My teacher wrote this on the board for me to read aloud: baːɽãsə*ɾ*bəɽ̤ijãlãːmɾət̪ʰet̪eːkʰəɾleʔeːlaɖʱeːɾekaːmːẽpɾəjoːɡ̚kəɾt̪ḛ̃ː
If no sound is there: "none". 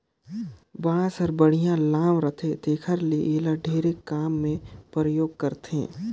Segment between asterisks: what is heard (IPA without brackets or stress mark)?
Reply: ɾ